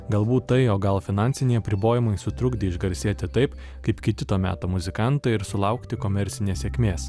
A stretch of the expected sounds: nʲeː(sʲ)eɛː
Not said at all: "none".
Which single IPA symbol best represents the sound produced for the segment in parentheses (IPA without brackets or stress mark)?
sʲ